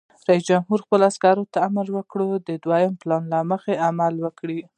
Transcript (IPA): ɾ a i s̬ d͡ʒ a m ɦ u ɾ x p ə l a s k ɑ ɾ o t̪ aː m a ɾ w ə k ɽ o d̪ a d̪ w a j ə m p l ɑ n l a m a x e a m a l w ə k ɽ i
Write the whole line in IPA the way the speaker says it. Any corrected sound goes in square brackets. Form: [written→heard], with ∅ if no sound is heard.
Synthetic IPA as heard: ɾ a i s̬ d͡ʒ a m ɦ u ɾ x p ə l a s k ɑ ɾ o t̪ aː m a ɾ w ə k ɽ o d̪ [a→ə] d̪ w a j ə m p l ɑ n l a m [a→ə] x e a m a l w ə k ɽ i

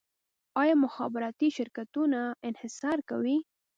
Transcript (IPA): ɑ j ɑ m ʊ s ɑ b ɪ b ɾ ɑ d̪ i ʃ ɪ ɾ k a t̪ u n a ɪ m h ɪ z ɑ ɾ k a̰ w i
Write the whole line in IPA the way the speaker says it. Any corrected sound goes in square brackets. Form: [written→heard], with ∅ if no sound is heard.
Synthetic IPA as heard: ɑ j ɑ m ʊ [s→x] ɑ b ɪ [b→∅] ɾ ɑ [d̪→t̪] i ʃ ɪ ɾ k a t̪ u n a ɪ [m→n] h ɪ [z→s] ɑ ɾ k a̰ w i

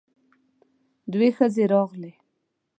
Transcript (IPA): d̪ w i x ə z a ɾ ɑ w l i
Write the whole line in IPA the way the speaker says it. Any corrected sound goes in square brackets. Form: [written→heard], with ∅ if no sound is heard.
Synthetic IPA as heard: d̪ w [i→e] x ə z [a→e] ɾ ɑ [w→ɣ] l [i→e]

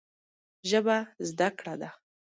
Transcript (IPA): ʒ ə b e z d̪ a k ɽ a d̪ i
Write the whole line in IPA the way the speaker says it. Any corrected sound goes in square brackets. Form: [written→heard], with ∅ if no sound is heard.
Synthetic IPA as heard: ʒ ə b [e→a] z d̪ a k ɽ a d̪ [i→a]

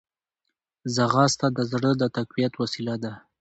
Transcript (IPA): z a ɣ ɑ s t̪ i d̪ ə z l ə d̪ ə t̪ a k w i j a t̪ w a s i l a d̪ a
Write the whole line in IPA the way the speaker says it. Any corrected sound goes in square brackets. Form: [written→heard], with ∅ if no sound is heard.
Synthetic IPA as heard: z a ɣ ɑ s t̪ [i→a] d̪ ə z [l→ɽ] ə d̪ ə t̪ a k w i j a t̪ w a s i l a d̪ a

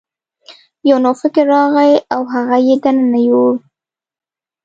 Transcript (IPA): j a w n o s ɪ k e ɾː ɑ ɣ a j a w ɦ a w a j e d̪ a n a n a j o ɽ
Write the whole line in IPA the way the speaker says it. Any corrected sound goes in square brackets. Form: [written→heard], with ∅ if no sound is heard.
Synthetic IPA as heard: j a w n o [s→f] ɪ k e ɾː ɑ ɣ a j a w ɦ a [w→ɣ] a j e d̪ a n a n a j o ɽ

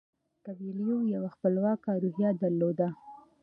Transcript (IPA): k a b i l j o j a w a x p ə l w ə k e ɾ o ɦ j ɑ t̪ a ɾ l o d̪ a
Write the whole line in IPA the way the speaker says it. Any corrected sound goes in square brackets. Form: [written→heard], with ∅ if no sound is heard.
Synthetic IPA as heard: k a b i l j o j a w a x p ə l w [ə→ɑ] k [e→a] ɾ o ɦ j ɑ [t̪→d̪] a ɾ l o d̪ a

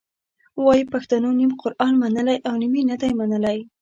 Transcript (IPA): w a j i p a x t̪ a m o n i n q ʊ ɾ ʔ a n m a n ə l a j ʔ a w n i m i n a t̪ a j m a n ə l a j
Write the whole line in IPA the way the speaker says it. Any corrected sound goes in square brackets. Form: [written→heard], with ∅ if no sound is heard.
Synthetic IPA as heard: w [a→ɑ] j i p a x t̪ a [m→n] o n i [n→m] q ʊ ɾ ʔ [a→ɑ] n m a n ə l a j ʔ a w n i m i n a [t̪→d̪] a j m a n ə l a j

